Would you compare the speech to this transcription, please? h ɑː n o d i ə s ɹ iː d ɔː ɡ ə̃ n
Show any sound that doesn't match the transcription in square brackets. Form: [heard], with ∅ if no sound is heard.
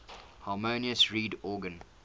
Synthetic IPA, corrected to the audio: h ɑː [m] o [n] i ə s ɹ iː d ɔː ɡ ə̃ n